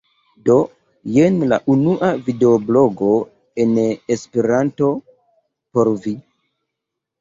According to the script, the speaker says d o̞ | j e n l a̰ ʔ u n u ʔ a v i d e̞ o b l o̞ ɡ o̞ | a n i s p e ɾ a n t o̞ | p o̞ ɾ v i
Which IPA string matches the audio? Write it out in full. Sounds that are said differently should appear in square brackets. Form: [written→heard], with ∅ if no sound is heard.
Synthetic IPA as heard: d o̞ | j e n l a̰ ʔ u n u ʔ a v i d e̞ o b l o̞ ɡ o̞ | [a→e] n [i→e] s p e ɾ a n t o̞ | p o̞ ɾ v i